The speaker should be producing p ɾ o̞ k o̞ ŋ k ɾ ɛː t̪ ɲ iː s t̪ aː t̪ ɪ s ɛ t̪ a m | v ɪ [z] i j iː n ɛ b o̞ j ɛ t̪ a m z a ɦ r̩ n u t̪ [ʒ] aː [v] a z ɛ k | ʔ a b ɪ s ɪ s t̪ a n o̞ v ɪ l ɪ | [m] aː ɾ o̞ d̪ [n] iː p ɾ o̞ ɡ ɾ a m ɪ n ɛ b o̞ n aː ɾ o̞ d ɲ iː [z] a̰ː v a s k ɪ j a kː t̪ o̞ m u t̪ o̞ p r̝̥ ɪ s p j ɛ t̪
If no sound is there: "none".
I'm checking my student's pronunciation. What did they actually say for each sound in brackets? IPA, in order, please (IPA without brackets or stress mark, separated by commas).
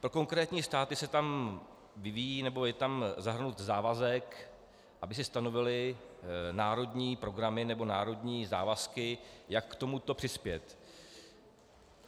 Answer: v, z, v, n, ɲ, z